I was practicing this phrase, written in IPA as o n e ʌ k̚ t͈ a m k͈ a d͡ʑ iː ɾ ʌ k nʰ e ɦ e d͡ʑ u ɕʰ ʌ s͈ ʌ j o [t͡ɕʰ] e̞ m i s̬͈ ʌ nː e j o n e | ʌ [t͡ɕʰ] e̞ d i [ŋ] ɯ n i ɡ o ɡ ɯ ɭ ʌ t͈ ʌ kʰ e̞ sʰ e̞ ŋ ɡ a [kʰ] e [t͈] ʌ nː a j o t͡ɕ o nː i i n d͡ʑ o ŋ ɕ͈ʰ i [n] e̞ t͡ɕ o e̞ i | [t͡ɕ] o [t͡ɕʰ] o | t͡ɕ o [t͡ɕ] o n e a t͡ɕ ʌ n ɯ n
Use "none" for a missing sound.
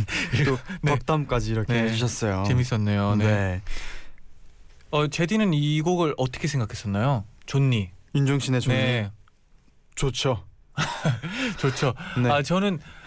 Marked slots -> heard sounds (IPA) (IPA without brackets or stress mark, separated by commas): t͡ɕ, t͡ɕ, n, kʰ, s͈, n, t͡ɕ, t͡ɕʰ, t͡ɕʰ